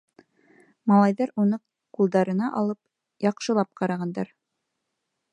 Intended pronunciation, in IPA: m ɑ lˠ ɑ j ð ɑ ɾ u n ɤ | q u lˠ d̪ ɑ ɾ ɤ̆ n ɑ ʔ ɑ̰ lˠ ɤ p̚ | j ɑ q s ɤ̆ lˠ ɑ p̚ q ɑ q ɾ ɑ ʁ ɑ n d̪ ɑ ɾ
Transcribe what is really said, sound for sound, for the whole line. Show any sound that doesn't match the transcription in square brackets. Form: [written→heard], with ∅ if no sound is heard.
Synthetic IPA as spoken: m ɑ lˠ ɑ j ð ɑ ɾ u n ɤ | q u lˠ d̪ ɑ ɾ ɤ̆ n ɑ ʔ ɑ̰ lˠ ɤ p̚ | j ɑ q [s→ʃ] ɤ̆ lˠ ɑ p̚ q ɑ [q→∅] ɾ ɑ ʁ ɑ n d̪ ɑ ɾ

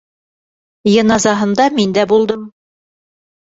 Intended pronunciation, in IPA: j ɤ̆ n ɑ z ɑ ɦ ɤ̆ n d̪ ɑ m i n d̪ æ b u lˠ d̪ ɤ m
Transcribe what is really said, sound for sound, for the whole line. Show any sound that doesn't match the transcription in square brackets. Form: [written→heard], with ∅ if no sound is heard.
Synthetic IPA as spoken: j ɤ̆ n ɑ z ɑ ɦ ɤ̆ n d̪ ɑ m i n d̪ æ b u lˠ d̪ ɤ m

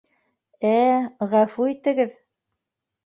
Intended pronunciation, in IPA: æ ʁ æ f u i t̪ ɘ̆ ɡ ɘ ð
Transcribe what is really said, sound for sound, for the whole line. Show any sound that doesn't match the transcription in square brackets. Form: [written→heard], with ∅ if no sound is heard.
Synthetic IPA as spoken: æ ʁ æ f u i t̪ ɘ̆ ɡ ɘ ð

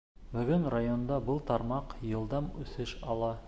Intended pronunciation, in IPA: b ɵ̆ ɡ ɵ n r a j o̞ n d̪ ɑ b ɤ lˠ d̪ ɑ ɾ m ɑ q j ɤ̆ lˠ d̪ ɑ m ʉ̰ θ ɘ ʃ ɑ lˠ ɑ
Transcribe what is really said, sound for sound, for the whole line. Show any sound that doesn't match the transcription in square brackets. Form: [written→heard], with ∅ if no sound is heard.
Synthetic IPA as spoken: b ɵ̆ ɡ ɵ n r a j o̞ n d̪ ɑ b ɤ lˠ [d̪→t̪] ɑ ɾ m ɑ q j ɤ̆ lˠ d̪ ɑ m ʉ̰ θ ɘ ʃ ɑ lˠ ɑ

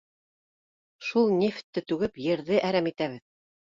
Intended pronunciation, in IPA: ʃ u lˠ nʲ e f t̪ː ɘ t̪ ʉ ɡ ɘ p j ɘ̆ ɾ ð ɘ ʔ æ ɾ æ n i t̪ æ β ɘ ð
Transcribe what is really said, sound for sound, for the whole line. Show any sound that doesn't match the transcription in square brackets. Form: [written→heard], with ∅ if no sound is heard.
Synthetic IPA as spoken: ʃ u lˠ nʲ e f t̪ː ɘ t̪ ʉ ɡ ɘ p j ɘ̆ ɾ ð ɘ ʔ æ ɾ æ [n→m] i t̪ æ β ɘ ð

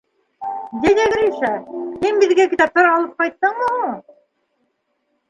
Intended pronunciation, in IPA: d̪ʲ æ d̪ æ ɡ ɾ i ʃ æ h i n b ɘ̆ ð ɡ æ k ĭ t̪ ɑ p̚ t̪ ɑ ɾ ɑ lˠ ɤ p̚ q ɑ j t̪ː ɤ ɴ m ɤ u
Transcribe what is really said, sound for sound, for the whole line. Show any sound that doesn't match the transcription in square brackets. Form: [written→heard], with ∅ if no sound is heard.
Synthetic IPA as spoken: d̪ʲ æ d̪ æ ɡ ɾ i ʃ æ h i n b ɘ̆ ð ɡ æ k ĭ t̪ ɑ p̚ t̪ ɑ ɾ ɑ lˠ ɤ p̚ q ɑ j t̪ː ɤ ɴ m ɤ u

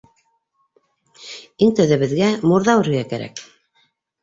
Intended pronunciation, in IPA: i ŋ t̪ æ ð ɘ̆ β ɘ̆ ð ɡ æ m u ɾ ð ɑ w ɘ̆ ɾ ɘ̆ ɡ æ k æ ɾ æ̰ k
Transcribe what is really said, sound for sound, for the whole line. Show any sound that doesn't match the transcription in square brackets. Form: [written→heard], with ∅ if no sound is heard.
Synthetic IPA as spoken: i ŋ t̪ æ ð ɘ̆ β ɘ̆ ð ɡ æ m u ɾ ð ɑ w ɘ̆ ɾ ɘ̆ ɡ æ k æ ɾ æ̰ k

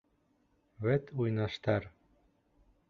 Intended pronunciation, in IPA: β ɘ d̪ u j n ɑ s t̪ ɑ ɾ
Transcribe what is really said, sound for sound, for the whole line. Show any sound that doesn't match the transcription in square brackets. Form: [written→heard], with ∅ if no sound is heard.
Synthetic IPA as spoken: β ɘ [d̪→t̪] u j n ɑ [s→ʃ] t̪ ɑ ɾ

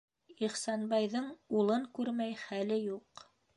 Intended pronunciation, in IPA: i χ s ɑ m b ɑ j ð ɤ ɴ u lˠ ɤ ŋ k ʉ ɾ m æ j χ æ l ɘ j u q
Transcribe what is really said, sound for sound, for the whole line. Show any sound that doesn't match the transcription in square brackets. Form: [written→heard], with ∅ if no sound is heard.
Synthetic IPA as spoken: i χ s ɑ [m→n] b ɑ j ð ɤ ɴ u lˠ ɤ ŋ k ʉ ɾ m æ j χ æ l ɘ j u q

